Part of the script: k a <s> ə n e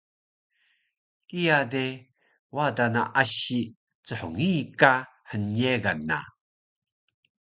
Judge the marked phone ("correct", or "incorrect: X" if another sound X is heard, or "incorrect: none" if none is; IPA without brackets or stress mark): incorrect: h